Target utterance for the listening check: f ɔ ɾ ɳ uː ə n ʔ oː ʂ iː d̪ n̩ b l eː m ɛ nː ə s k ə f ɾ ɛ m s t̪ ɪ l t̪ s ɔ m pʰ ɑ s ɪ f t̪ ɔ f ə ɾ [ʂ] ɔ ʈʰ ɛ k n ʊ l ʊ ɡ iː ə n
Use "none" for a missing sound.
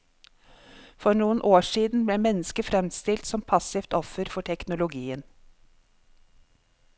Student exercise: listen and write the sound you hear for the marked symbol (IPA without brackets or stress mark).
f